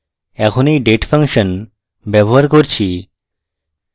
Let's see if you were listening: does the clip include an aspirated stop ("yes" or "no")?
yes